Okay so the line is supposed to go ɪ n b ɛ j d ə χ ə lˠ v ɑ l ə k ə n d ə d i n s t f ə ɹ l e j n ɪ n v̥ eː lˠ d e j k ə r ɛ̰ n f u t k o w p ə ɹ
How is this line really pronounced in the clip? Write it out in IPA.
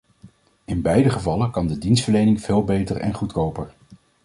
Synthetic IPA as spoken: ɪ n b ɛ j d ə χ ə v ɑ l ə k ɑ n d ə d i n s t f ə ɹ l e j n ɪ ŋ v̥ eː lˠ b e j t ə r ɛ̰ n χ u t k o w p ə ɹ